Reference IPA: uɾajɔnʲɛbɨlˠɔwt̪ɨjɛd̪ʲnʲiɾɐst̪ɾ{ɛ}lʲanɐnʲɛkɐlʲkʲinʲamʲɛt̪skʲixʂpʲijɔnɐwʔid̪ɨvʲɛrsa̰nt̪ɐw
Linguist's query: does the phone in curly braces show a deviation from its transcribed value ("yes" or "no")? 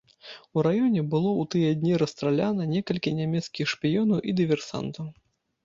yes